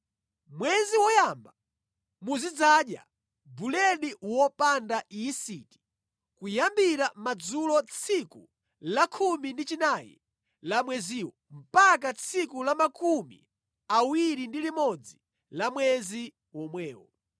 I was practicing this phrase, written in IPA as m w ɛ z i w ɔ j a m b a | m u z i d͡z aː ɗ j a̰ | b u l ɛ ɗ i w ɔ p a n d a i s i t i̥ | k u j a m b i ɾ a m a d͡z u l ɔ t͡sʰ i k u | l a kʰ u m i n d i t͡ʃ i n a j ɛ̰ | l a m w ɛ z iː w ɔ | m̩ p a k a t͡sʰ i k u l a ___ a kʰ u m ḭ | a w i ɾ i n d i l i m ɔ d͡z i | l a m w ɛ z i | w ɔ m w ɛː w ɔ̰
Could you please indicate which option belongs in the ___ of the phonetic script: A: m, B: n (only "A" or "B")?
A